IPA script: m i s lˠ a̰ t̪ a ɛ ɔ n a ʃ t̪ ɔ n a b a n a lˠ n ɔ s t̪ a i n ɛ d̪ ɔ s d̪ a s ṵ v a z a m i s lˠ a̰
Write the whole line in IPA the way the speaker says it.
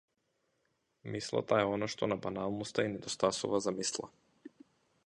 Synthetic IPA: m i s lˠ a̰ t̪ a ɛ ɔ n a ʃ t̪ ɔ n a b a n a lˠ n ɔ s t̪ a i n ɛ d̪ ɔ s t̪ a s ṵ v a z a m i s lˠ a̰